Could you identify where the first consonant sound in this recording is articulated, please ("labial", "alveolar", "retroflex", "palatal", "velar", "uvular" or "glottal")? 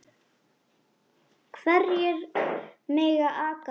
velar